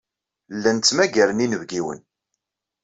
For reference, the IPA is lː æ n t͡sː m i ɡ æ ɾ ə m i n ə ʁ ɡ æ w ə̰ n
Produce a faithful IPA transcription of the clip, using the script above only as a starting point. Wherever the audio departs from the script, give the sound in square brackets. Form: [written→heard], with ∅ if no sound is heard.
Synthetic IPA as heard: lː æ n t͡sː m [i→æ] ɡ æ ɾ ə [m→n] i n ə [ʁ→v] ɡ [æ→i] w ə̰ n